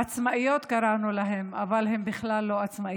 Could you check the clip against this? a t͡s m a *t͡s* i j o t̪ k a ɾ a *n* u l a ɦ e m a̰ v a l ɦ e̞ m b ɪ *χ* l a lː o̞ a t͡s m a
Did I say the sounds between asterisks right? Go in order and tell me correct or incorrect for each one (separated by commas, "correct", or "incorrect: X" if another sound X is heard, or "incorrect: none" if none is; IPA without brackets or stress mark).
incorrect: none, correct, correct